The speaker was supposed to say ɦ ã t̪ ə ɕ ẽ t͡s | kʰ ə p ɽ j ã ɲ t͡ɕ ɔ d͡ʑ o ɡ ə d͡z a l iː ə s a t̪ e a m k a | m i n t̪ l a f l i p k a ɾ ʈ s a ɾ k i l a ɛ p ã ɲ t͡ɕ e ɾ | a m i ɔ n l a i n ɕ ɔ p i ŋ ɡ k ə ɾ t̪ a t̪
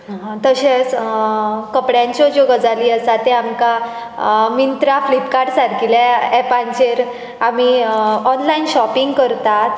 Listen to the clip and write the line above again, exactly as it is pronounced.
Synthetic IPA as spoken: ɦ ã t̪ ə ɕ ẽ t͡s | k ə p ɽ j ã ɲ t͡ɕ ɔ d͡ʑ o ɡ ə d͡z a l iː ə s a t̪ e a m k a | m i n t̪ ɾ a f l i p k a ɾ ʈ s a ɾ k i l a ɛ p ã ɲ t͡ɕ e ɾ | a m i ɔ n l a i n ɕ ɔ p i ŋ ɡ k ə ɾ t̪ a t̪